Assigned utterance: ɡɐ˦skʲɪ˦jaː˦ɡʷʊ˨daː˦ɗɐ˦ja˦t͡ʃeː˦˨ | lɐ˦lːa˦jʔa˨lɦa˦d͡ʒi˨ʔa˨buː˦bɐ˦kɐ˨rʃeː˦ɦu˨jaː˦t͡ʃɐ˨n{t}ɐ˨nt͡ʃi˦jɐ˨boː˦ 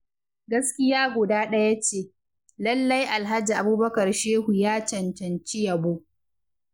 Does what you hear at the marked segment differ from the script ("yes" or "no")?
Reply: no